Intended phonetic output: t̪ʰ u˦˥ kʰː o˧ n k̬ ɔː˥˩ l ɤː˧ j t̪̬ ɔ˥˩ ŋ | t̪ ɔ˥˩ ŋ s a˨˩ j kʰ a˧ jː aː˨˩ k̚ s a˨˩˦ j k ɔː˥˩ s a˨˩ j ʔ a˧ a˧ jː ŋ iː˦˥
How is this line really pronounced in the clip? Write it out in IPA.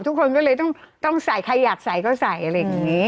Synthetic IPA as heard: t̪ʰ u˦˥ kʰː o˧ n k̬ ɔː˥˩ l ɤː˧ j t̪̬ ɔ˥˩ ŋ | t̪ ɔ˥˩ ŋ s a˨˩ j kʰ a˧ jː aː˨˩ k̚ s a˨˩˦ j k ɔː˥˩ s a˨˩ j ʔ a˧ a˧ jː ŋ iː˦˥